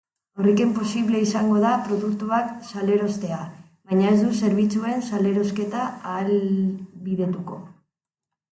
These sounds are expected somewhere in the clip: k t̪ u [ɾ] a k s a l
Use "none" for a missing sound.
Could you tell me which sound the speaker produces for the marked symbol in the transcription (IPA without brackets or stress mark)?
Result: none